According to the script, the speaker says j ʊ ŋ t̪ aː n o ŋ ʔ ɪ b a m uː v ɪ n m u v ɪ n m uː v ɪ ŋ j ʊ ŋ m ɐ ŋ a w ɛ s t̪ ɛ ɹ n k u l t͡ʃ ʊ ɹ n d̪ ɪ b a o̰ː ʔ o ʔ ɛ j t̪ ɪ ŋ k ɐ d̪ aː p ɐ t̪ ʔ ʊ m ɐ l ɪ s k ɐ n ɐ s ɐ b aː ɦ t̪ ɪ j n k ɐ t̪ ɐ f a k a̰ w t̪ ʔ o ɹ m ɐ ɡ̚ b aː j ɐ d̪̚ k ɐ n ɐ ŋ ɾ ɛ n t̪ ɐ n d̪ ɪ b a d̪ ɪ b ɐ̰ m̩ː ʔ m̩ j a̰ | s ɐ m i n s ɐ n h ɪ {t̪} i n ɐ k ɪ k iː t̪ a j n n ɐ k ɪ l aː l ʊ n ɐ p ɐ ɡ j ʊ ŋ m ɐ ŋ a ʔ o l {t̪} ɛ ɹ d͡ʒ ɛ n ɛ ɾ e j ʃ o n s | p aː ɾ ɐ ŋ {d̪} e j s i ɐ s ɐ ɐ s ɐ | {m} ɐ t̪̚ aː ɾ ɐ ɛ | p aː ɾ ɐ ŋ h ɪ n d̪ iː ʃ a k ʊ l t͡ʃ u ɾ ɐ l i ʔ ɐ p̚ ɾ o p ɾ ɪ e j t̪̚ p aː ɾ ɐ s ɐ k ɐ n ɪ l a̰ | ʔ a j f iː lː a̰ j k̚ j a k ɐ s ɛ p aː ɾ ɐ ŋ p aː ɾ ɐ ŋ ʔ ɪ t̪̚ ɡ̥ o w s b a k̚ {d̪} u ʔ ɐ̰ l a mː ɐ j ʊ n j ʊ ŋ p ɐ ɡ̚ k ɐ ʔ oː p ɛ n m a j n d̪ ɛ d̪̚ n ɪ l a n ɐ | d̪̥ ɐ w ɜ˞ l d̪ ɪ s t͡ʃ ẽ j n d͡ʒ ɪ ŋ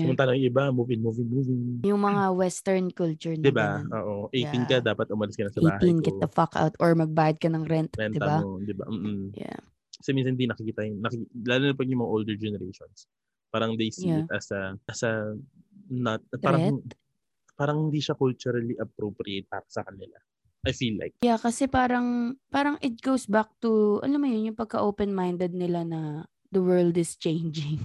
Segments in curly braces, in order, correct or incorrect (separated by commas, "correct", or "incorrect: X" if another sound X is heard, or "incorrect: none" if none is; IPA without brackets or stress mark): incorrect: d̪, incorrect: d̪, correct, incorrect: n, incorrect: t̪